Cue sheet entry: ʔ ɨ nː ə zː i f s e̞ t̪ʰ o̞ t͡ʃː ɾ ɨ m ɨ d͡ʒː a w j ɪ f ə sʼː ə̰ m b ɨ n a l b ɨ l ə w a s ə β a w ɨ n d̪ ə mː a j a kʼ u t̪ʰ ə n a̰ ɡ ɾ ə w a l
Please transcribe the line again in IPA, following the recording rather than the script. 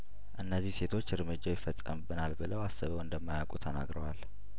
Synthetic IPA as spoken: ʔ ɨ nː ə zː i h s e̞ t̪ʰ o̞ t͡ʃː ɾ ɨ m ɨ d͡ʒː a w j ɪ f ə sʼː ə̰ m b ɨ n a l b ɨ l ə w a s ə β ə w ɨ n d̪ ə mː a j a kʼ u t̪ʰ ə n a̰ ɡ ɾ ə w a l

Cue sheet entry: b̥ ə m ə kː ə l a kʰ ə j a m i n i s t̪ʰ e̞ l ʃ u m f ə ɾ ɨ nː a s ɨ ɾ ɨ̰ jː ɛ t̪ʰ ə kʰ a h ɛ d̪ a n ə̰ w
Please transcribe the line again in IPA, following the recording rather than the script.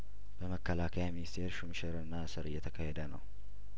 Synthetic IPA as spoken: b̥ ə m ə kː ə l a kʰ ə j a m i n i s t̪ʰ e̞ ɾ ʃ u m ʃ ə ɾ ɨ nː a s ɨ ɾ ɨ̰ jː ɛ t̪ʰ ə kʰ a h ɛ d̪ ə n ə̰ w

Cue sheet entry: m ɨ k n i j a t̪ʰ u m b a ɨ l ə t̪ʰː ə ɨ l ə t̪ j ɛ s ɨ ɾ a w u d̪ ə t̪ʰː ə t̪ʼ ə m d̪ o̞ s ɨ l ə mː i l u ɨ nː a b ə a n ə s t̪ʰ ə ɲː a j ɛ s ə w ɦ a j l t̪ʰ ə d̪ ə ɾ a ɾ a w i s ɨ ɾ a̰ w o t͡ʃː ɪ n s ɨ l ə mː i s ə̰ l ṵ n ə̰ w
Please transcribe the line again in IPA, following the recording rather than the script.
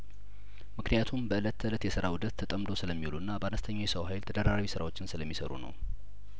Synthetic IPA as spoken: m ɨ k n i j a t̪ʰ u m b ə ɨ l ə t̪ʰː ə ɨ l ə t̪ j ɛ s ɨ ɾ a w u d̪ ə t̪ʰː ə t̪ʼ ə m d̪ o̞ s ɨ l ə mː i l u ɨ nː a b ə a n ə s t̪ʰ ə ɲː a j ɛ s ə w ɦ a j l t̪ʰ ə d̪ ə ɾ a ɾ a w i s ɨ ɾ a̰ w o t͡ʃː ɪ n s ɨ l ə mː i s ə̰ ɾ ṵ n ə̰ w

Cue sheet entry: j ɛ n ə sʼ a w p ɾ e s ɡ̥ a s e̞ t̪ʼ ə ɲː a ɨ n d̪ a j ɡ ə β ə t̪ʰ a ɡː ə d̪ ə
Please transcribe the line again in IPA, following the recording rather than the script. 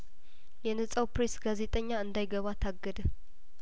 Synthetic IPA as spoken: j ɛ n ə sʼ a w p ɾ e s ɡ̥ a z e̞ t̪ʼ ə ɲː a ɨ n d̪ a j ɡ ə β a t̪ʰ a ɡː ə d̪ ə

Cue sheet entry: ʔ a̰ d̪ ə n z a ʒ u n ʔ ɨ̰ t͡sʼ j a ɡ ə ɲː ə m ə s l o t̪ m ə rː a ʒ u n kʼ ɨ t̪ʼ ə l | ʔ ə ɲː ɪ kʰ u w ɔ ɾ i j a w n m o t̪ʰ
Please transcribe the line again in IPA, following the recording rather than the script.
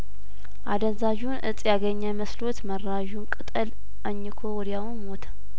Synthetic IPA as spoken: ʔ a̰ d̪ ə n z a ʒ u n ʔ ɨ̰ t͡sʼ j a ɡ ə ɲː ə m ə s l o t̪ m ə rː a ʒ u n kʼ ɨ t̪ʼ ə l | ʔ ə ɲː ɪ kʰ o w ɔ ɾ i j a w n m o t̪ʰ

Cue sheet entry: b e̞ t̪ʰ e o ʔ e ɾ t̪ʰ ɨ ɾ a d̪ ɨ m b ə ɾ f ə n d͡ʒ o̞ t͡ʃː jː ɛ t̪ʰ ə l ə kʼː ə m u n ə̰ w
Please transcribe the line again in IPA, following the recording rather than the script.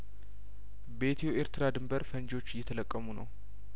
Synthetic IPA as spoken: b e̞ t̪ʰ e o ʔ e ɾ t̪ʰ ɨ ɾ a d̪ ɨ m b ə ɾ f ə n d͡ʒ o̞ t͡ʃː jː ɛ t̪ʰ ə l ə kʼː ə m u n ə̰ w

